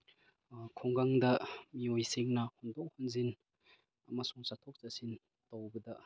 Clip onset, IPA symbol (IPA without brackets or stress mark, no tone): kʰ